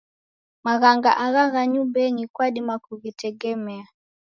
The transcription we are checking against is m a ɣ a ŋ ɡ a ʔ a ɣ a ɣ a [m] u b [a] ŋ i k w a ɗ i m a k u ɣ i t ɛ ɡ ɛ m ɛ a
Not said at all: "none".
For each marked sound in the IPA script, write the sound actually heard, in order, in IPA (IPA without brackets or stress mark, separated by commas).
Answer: ɲ, ɛ